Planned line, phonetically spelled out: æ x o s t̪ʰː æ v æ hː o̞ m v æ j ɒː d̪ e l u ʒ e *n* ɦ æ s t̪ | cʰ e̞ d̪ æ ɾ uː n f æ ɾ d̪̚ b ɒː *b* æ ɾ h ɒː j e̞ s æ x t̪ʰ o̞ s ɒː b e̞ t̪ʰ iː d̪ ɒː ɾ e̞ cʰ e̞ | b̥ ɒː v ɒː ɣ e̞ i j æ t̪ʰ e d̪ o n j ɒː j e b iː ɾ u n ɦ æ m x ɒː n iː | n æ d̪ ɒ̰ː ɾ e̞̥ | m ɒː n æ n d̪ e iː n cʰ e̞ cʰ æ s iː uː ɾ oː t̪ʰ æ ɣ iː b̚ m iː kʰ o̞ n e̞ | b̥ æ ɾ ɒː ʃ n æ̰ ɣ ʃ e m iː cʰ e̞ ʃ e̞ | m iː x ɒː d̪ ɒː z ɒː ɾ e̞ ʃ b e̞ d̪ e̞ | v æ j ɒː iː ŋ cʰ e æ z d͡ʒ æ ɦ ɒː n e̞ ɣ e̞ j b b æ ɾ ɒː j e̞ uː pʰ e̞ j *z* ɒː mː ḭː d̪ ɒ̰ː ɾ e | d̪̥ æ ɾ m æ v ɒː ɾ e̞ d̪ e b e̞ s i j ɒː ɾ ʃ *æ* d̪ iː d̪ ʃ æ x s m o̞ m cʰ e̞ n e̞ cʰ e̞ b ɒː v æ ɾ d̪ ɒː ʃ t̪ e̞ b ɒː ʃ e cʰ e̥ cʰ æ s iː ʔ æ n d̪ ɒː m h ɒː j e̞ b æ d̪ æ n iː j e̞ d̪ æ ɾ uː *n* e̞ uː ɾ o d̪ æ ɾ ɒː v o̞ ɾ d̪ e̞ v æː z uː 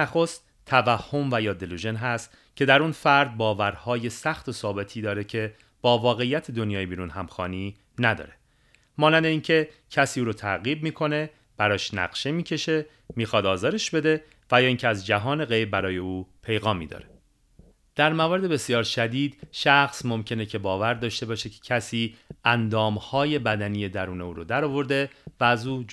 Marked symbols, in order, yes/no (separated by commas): yes, no, no, yes, yes